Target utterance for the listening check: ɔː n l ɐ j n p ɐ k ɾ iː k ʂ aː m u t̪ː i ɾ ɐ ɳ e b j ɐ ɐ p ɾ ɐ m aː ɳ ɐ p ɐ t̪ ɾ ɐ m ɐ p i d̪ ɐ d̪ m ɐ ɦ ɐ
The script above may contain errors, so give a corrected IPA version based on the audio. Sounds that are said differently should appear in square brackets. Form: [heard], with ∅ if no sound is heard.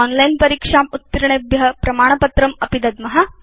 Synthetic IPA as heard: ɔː n l ɐ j n p ɐ [∅] ɾ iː k ʂ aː m u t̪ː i ɾ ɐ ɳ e b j ɐ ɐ p ɾ ɐ m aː ɳ ɐ p ɐ t̪ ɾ ɐ m ɐ p i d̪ ɐ d̪ m ɐ ɦ ɐ